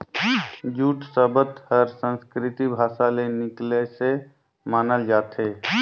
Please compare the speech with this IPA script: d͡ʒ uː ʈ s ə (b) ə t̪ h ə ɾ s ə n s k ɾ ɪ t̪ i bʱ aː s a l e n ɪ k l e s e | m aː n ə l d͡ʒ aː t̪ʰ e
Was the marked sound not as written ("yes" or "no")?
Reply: no